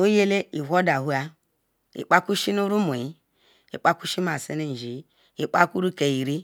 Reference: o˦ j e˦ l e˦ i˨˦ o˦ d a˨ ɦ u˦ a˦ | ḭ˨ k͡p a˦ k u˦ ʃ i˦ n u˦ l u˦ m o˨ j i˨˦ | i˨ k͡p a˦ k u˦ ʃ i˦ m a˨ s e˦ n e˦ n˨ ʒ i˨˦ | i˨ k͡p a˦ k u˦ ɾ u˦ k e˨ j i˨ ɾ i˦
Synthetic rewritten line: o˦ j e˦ l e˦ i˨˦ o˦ d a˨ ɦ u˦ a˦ | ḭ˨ k͡p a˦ k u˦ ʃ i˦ n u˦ ɾ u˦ m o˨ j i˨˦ | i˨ k͡p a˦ k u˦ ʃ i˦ m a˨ s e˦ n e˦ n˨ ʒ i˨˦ | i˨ k͡p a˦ k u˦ ɾ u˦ k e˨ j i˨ ɾ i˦

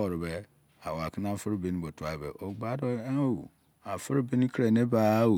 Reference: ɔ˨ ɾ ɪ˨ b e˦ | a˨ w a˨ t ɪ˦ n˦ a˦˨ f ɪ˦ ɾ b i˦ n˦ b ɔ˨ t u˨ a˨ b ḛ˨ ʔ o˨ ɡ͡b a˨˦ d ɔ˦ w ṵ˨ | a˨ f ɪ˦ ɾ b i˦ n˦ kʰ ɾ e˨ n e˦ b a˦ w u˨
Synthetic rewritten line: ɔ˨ ɾ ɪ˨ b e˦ | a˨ w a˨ k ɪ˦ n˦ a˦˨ f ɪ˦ ɾ b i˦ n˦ b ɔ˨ t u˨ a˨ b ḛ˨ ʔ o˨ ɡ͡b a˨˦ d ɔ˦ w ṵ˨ | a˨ f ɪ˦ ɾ b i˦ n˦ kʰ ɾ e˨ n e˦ b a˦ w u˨

